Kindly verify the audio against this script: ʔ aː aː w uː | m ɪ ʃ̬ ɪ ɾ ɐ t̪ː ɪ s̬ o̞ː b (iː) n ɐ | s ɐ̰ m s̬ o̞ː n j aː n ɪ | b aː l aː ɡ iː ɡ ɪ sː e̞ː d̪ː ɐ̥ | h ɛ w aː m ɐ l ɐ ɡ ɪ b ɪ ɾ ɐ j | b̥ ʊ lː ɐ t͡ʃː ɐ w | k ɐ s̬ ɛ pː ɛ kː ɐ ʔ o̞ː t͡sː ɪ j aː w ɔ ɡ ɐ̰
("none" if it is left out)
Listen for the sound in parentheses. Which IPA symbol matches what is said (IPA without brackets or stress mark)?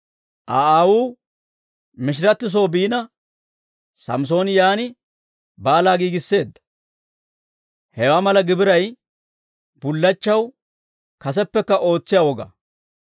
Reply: iː